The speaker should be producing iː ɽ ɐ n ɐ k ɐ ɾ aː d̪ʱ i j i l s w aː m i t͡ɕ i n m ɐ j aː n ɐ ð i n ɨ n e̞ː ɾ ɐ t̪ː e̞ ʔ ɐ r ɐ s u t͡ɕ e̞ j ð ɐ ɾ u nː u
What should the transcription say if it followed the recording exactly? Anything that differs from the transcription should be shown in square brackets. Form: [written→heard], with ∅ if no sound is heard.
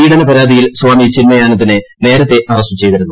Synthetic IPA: iː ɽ ɐ n ɐ [k→p] ɐ ɾ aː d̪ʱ i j i l s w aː m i t͡ɕ i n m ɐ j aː n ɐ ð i n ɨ n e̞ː ɾ ɐ t̪ː e̞ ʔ ɐ r ɐ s u t͡ɕ e̞ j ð ɐ ɾ u nː u